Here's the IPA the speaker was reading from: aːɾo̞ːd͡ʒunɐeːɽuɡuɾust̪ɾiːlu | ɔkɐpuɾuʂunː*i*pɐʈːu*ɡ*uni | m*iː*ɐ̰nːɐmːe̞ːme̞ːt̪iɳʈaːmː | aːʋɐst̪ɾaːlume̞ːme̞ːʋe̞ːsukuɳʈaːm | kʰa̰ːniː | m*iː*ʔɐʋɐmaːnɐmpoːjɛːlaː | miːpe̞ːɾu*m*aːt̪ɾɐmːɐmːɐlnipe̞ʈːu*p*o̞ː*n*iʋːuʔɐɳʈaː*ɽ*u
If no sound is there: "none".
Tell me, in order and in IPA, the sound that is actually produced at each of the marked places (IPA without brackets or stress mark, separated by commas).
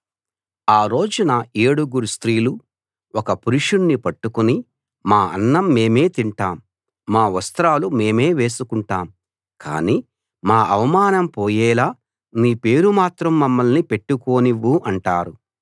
i, k, aː, aː, m, k, n, ɾ